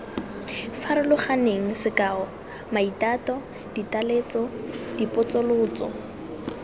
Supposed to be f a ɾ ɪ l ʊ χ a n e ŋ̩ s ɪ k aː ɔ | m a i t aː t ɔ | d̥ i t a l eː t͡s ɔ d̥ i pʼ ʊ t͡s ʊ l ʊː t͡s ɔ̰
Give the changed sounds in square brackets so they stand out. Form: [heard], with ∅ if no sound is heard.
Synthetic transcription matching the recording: f a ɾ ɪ l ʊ χ a n e ŋ̩ s ɪ k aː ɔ | m a i t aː t ɔ | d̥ i t a l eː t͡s ɔ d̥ i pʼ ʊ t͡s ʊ l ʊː t͡s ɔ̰